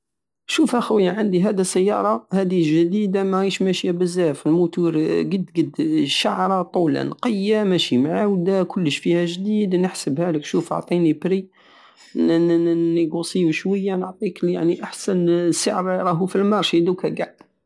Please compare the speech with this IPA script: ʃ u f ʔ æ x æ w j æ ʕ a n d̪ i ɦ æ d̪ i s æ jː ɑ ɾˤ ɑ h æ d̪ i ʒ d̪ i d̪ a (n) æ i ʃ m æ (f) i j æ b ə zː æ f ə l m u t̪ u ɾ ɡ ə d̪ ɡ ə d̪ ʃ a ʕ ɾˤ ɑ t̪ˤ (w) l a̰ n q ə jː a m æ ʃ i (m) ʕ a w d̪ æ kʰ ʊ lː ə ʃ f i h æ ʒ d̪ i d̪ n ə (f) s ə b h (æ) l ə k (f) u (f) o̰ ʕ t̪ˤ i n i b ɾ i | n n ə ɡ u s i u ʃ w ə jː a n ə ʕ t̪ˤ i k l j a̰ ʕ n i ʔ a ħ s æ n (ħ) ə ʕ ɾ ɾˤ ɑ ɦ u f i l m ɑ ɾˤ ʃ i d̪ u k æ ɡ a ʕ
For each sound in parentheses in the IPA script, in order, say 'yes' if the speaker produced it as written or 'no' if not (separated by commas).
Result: no, no, no, yes, no, yes, no, yes, no